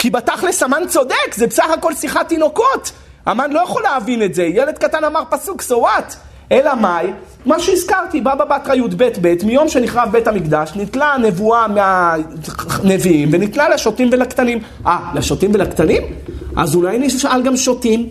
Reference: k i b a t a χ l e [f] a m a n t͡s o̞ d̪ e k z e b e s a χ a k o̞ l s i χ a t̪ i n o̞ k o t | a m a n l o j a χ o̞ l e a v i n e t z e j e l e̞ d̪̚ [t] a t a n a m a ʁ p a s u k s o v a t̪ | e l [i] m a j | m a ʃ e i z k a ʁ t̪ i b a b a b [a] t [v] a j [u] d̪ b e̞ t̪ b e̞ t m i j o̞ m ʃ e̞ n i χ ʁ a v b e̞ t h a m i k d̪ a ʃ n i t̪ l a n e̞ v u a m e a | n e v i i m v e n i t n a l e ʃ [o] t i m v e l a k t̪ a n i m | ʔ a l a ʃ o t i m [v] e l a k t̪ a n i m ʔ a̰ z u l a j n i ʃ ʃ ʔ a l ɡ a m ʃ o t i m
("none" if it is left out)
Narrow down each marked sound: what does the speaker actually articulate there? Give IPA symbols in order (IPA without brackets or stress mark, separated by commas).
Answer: s, k, a, a, ʁ, u, o, v